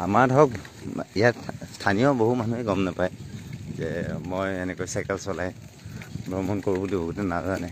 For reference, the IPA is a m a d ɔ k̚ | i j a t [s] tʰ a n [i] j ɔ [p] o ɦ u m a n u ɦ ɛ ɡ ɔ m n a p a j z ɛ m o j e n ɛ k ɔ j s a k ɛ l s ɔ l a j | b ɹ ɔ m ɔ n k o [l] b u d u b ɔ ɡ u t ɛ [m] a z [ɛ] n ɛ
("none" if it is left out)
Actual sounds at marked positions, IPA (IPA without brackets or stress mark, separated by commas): s, i, b, ɹ, n, a